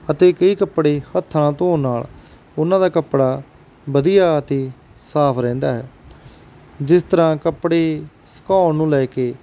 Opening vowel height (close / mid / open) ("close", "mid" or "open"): mid